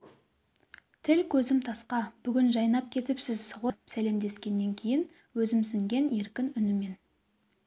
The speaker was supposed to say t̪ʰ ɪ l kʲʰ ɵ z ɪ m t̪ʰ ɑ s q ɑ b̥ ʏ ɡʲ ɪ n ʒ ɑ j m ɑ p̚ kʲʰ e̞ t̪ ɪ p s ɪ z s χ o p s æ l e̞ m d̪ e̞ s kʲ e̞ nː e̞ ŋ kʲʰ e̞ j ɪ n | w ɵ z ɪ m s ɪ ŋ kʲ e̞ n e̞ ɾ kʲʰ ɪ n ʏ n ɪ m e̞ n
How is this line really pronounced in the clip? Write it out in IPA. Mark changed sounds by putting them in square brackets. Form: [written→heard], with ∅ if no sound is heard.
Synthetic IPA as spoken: t̪ʰ ɪ l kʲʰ ɵ z ɪ m t̪ʰ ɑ s q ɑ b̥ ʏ ɡʲ ɪ n ʒ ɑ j [m→n] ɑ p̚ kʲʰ e̞ t̪ ɪ p s ɪ z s [χ→ʁ] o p s æ l e̞ m d̪ e̞ s kʲ e̞ nː e̞ ŋ kʲʰ e̞ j ɪ n | w ɵ z ɪ m s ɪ ŋ [kʲ→ɡʲ] e̞ n e̞ ɾ [kʲʰ→kʲ] ɪ n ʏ n ɪ m e̞ n